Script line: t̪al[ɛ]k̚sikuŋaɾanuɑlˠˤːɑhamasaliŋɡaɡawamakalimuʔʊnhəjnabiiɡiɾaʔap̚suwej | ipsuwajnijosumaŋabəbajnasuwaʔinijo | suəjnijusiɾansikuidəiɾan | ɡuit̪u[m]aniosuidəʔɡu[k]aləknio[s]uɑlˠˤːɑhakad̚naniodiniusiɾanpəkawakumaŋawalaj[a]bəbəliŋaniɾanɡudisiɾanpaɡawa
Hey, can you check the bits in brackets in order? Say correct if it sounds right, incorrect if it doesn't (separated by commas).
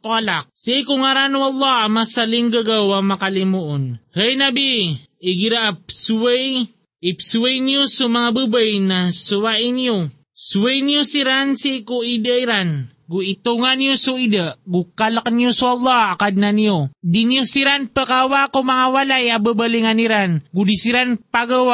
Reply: incorrect, incorrect, correct, correct, correct